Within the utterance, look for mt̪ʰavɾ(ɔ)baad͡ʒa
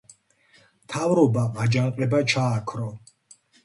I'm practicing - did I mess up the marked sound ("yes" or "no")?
no